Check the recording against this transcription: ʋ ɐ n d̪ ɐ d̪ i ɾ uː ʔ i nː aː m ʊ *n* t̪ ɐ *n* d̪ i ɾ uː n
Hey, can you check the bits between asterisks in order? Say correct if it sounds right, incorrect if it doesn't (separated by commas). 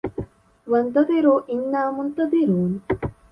correct, incorrect